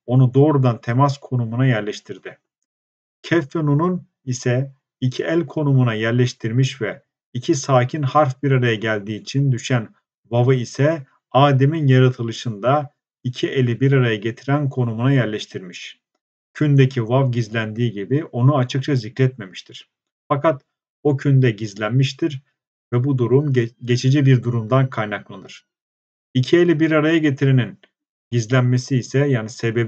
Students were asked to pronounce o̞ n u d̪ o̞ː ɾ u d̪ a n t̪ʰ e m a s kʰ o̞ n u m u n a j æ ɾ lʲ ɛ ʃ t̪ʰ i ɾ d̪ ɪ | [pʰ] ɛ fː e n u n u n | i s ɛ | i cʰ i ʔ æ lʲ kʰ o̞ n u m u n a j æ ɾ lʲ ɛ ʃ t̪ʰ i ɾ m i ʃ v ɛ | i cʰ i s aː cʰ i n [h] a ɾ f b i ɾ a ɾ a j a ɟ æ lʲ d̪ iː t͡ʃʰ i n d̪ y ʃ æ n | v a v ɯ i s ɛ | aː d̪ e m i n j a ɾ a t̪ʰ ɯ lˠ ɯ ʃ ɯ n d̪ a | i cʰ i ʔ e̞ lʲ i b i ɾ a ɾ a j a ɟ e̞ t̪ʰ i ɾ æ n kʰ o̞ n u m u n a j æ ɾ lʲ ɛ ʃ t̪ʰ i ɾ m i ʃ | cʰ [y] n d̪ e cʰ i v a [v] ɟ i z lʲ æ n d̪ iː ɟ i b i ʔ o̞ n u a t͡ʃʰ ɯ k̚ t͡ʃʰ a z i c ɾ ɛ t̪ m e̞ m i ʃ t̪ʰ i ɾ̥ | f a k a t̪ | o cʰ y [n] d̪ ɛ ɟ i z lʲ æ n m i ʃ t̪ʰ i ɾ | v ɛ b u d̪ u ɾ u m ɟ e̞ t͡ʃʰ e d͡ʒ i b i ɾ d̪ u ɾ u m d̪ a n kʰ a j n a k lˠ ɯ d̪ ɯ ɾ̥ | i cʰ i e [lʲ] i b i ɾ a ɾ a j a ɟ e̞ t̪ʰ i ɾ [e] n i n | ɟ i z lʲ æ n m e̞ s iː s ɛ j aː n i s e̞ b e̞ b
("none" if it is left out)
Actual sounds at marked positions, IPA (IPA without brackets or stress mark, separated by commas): cʰ, h, y, v, n, lʲ, e